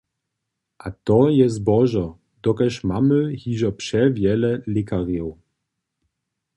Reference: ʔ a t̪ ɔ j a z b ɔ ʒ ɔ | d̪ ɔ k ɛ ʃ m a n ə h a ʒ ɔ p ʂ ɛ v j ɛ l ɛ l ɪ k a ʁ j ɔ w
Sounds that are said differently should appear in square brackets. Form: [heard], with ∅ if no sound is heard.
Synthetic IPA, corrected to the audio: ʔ a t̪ ɔ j [ɛ] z b ɔ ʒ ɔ | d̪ ɔ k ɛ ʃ m a [m] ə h [i] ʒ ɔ p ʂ ɛ v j ɛ l ɛ l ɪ k a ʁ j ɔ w